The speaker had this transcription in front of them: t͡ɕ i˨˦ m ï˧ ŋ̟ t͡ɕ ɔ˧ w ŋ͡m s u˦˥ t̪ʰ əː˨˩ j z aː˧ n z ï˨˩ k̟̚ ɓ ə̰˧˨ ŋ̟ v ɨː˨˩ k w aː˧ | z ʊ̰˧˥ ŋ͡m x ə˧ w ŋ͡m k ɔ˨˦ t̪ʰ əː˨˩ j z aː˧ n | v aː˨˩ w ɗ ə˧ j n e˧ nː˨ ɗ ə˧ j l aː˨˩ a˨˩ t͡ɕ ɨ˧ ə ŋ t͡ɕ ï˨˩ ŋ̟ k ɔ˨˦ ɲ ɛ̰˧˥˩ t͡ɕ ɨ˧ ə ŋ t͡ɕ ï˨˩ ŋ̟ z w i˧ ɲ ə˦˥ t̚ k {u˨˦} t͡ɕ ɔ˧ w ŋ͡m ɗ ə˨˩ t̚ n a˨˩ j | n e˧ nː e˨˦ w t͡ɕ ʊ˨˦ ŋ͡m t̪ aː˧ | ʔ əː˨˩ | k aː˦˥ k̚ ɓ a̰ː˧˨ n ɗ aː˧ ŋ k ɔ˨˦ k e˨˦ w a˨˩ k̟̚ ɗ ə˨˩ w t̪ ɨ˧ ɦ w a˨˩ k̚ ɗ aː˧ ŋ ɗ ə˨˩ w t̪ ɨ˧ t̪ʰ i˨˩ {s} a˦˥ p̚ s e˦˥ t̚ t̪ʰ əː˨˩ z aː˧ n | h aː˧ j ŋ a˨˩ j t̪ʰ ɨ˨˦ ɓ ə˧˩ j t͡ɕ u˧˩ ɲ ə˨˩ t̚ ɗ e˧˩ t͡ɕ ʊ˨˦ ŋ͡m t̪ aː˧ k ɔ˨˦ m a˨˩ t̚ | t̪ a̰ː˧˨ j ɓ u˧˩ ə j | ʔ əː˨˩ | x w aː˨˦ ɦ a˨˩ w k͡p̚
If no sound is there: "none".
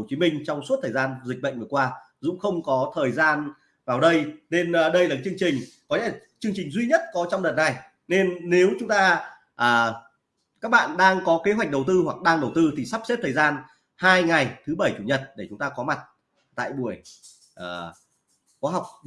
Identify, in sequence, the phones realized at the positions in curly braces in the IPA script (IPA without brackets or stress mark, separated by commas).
ɔ˨˦, s